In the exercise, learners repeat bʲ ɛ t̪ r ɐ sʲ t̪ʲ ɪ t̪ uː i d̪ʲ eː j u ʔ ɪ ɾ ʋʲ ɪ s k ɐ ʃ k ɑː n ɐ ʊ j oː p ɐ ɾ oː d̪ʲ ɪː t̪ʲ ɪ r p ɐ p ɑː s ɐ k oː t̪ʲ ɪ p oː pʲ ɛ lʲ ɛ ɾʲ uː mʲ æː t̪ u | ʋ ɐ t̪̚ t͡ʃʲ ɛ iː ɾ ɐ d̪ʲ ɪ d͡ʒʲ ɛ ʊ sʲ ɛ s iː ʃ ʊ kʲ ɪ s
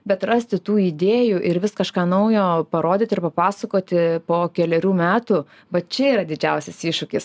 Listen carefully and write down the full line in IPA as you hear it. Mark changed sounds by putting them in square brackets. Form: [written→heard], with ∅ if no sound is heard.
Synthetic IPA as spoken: bʲ ɛ t̪ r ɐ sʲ t̪ʲ ɪ t̪ uː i d̪ʲ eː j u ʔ ɪ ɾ ʋʲ ɪ s k ɐ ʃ k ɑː n ɐ ʊ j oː p ɐ ɾ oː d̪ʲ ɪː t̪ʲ ɪ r p ɐ p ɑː s ɐ k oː t̪ʲ ɪ p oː [pʲ→kʲ] ɛ lʲ ɛ ɾʲ uː mʲ æː t̪ u | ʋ ɐ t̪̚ t͡ʃʲ ɛ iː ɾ ɐ d̪ʲ ɪ d͡ʒʲ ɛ ʊ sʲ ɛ s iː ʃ ʊ kʲ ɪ s